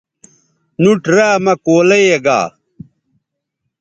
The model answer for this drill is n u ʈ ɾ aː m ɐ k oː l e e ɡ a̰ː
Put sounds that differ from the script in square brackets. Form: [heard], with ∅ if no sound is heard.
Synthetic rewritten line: n u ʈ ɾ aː m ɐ k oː l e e ɡ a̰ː